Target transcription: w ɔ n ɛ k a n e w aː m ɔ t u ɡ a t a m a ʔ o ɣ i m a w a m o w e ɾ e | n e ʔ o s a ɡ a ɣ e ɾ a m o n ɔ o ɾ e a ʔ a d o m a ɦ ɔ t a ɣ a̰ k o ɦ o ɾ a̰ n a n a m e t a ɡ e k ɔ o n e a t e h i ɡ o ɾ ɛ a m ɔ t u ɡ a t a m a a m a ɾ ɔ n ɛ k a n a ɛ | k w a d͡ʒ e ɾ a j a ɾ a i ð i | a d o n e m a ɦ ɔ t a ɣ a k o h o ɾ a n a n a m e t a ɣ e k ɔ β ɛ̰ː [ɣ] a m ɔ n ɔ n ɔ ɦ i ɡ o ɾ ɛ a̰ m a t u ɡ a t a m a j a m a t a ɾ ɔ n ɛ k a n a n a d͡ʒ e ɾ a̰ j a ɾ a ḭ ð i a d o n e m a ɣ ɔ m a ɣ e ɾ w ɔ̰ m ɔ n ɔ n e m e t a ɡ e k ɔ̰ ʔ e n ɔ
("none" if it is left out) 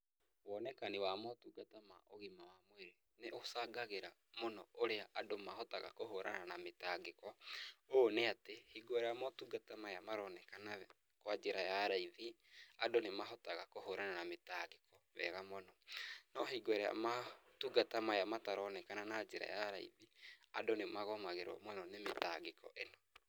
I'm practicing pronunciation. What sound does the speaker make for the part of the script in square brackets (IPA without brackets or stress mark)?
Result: ɣ